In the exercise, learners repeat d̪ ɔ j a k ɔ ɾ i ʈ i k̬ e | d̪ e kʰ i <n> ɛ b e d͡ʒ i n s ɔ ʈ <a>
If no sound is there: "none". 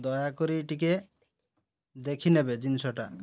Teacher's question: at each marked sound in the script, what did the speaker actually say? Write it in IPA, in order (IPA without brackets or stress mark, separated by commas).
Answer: n, a